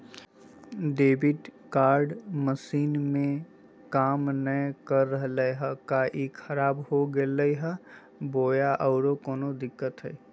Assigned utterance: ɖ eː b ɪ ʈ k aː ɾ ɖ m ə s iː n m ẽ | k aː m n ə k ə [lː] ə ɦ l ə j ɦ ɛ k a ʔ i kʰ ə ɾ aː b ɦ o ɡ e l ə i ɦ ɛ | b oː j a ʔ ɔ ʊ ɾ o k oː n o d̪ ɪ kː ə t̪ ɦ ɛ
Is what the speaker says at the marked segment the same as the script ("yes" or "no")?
no